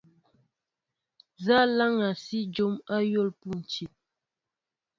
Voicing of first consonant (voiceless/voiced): voiced